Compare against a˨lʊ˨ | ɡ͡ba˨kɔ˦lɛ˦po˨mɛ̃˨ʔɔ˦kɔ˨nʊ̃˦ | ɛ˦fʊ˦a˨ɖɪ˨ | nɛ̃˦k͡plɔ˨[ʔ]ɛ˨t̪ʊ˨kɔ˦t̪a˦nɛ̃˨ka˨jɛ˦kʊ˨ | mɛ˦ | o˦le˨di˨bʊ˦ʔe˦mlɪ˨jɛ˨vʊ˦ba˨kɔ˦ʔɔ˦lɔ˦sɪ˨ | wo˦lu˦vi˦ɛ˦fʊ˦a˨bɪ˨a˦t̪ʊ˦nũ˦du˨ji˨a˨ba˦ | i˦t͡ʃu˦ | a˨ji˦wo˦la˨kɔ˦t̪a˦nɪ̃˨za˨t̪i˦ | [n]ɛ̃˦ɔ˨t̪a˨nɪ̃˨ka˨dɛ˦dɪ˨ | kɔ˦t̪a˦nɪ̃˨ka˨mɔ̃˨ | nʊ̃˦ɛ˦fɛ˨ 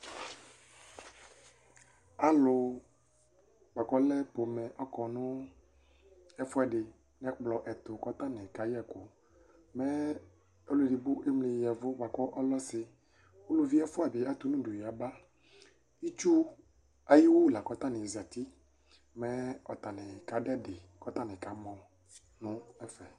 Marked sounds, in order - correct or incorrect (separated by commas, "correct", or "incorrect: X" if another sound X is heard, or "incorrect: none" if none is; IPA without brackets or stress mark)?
correct, incorrect: m